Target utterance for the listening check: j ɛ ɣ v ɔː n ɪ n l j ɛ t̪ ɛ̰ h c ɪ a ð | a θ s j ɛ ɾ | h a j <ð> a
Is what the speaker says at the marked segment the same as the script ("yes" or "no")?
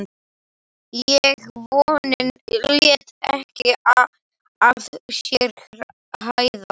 yes